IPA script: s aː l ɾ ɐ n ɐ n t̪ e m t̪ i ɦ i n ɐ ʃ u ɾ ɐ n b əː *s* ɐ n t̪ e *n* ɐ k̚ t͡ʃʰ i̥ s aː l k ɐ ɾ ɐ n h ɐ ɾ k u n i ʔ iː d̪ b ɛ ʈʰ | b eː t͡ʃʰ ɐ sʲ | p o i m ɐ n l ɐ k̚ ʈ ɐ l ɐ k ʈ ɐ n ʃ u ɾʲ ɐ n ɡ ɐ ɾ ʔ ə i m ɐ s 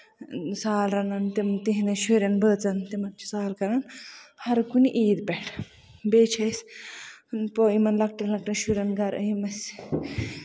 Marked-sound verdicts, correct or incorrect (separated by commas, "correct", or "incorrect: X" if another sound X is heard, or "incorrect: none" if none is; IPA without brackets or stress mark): incorrect: t͡s, incorrect: m